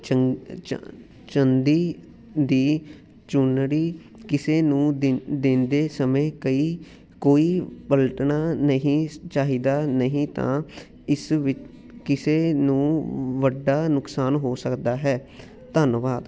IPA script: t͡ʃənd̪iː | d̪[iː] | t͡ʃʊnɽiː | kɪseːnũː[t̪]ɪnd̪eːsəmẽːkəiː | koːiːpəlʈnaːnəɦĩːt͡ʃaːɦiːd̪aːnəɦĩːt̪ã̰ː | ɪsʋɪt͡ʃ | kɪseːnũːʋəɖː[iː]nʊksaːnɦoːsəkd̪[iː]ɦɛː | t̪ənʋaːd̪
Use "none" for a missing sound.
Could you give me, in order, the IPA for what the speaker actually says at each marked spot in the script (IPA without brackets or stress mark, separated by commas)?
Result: iː, d̪, aː, aː